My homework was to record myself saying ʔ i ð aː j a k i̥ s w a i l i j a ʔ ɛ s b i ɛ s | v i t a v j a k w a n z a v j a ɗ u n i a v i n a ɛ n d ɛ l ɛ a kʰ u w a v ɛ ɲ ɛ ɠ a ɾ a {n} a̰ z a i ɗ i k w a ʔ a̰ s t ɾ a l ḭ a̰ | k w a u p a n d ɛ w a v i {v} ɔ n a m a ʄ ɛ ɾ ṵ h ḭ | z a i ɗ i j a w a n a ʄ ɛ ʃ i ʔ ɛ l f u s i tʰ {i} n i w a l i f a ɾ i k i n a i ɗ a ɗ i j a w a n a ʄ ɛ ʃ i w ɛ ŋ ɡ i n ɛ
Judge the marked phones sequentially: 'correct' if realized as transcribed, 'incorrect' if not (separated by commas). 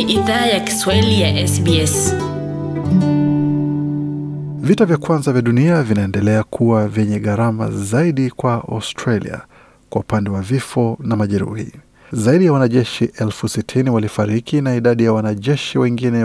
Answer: incorrect, incorrect, correct